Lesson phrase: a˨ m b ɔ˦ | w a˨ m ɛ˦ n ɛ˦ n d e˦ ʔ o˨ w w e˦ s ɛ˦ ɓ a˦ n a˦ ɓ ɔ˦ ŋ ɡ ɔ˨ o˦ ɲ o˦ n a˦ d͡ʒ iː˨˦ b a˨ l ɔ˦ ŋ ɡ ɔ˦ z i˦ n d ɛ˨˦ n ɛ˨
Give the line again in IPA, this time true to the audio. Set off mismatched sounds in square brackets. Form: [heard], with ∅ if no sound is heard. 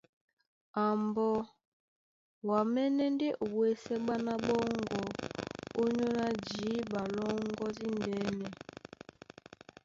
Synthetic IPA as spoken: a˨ m b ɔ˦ | w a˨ m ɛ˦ n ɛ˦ n d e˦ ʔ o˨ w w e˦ s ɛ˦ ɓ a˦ n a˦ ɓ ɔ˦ ŋ ɡ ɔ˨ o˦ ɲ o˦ n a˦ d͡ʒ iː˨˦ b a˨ l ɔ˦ ŋ ɡ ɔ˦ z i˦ n d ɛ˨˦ n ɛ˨